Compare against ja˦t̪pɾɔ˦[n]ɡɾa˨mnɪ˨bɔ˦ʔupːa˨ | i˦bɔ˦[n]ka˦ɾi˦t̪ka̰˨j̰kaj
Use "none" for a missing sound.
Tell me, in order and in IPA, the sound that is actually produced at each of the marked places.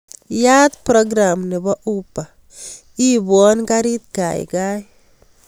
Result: none, n

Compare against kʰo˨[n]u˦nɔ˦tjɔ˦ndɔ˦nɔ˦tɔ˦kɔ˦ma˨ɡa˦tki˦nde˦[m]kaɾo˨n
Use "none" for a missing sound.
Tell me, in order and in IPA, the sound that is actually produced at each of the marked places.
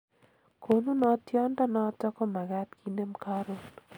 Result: n, m

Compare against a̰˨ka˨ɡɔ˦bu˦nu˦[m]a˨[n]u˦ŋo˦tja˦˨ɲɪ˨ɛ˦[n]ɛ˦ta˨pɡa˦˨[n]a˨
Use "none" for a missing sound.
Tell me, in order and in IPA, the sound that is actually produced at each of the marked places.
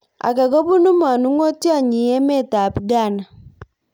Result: m, n, m, n

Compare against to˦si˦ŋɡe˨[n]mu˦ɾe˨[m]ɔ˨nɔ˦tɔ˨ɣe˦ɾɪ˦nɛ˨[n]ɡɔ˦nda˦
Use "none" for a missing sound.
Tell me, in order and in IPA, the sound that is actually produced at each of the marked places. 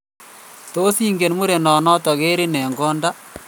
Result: n, n, ŋ

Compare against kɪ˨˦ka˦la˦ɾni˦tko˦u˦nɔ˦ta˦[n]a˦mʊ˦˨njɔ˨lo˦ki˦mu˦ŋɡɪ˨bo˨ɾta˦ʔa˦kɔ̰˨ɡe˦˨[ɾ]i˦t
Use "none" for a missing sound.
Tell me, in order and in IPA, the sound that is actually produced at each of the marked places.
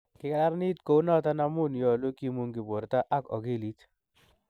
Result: n, l

